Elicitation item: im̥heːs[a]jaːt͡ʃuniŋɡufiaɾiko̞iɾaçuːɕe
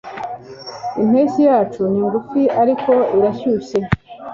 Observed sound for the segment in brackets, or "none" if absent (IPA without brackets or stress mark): i